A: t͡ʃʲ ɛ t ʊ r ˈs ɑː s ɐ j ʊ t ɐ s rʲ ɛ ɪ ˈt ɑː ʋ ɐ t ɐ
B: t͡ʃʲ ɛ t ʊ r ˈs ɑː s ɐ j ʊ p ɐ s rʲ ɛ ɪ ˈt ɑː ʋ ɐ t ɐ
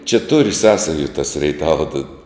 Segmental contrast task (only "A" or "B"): A